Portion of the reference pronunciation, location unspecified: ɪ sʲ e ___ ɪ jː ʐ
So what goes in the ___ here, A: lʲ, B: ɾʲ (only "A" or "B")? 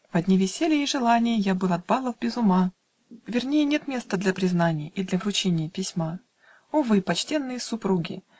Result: A